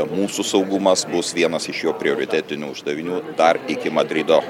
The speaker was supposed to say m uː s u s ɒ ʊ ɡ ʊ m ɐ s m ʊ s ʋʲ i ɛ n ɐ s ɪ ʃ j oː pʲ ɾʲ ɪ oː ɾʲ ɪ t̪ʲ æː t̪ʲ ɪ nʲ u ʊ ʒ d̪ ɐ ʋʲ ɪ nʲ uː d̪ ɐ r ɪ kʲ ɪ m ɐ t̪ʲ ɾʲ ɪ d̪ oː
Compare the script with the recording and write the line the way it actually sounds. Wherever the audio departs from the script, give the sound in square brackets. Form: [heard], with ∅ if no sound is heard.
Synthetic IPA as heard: m uː s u s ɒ ʊ ɡ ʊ m ɐ s [b] ʊ s ʋʲ i ɛ n ɐ s ɪ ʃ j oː pʲ ɾʲ ɪ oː ɾʲ ɪ t̪ʲ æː t̪ʲ ɪ nʲ u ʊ ʒ d̪ ɐ ʋʲ ɪ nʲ uː d̪ ɐ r ɪ kʲ ɪ m ɐ [d̪ʲ] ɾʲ ɪ d̪ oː